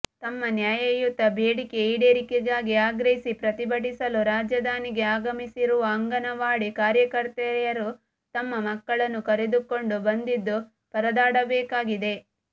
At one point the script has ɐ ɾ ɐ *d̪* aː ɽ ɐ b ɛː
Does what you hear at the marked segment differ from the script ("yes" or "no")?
no